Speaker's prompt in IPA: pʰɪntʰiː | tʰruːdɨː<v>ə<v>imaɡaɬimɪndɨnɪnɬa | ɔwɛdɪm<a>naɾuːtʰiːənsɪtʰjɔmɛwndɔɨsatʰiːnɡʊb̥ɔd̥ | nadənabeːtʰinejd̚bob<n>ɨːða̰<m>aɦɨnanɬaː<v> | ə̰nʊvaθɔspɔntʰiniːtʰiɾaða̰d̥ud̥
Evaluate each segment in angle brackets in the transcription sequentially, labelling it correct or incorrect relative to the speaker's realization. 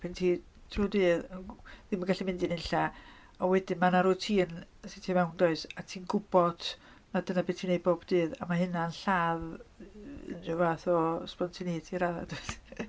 incorrect: ð, incorrect: ð, correct, incorrect: d, correct, incorrect: ð

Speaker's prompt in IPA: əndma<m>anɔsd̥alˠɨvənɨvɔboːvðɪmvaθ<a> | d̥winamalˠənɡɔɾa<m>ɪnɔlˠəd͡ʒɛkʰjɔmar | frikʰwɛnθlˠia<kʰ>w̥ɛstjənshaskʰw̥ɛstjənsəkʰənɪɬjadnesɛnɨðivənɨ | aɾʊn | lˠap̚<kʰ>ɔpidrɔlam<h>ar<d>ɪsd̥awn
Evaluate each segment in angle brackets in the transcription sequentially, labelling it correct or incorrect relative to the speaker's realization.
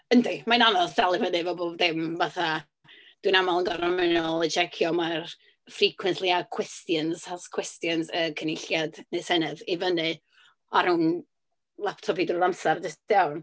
incorrect: n, correct, correct, correct, incorrect: tʰ, incorrect: s, correct

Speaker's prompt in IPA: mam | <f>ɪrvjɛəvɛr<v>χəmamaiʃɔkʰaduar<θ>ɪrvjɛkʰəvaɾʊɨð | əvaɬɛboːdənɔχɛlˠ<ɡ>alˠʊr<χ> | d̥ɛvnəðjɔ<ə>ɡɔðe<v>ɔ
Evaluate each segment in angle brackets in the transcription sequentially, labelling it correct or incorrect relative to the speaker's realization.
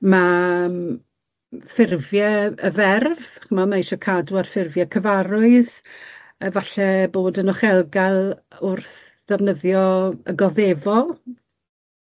correct, correct, incorrect: f, correct, incorrect: θ, correct, correct

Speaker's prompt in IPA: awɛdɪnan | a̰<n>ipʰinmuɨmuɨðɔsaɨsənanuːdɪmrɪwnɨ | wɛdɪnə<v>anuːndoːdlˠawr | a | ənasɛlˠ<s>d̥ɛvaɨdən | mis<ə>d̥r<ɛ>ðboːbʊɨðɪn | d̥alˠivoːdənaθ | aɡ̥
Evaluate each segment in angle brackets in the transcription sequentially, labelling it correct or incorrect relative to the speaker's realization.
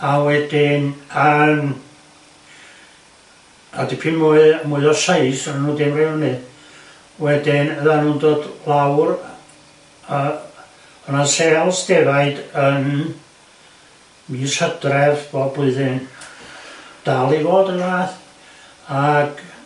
incorrect: d, incorrect: ð, correct, correct, correct

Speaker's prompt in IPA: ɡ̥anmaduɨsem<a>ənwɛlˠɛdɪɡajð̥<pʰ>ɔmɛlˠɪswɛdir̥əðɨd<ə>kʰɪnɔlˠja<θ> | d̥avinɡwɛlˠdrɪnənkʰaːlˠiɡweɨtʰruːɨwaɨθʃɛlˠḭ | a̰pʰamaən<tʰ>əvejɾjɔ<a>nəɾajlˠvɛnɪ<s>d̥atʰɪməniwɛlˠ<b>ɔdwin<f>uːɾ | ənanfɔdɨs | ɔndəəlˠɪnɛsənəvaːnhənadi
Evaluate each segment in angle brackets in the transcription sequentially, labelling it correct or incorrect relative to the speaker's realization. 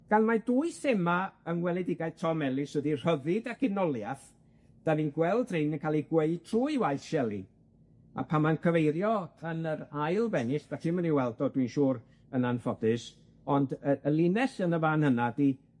correct, incorrect: tʰ, incorrect: a, correct, incorrect: kʰ, incorrect: ə, correct, incorrect: d, incorrect: ʃ

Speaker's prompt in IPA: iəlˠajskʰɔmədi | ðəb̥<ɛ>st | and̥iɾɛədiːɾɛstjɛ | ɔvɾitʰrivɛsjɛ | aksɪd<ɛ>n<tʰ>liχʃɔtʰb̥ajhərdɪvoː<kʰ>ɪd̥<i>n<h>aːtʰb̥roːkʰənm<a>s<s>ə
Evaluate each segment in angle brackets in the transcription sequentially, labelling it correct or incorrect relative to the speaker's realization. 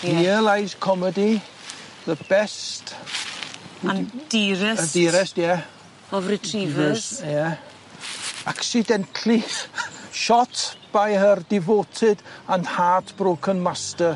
correct, correct, correct, incorrect: tʰ, incorrect: a, correct, correct, incorrect: t

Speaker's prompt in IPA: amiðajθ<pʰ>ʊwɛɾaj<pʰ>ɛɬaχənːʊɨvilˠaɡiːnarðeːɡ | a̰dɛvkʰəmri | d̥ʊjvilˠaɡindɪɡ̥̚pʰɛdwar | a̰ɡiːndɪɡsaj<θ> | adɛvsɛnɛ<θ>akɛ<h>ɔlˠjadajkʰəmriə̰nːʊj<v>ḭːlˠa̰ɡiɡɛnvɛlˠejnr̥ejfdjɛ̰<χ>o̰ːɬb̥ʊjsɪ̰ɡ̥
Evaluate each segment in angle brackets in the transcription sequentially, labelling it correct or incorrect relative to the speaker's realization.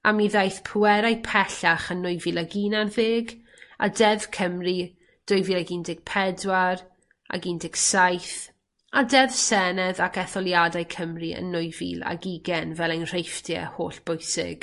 correct, correct, correct, incorrect: ð, incorrect: θ, correct, incorrect: h

